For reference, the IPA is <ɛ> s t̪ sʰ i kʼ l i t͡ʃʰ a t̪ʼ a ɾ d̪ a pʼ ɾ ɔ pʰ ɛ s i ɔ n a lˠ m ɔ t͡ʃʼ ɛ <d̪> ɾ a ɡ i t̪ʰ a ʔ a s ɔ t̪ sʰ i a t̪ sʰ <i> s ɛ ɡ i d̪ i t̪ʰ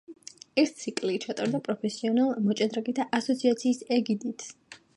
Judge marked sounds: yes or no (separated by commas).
yes, yes, no